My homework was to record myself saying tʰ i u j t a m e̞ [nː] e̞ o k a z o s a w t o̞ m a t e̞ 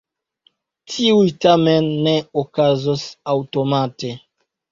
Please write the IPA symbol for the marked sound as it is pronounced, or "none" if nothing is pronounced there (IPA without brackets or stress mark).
nː